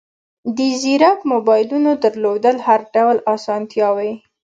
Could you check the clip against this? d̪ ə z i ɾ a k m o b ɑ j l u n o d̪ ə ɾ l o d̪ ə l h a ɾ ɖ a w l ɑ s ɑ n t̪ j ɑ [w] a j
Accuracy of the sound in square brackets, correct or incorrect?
correct